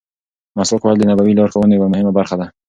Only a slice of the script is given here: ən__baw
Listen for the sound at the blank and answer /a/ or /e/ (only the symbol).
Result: a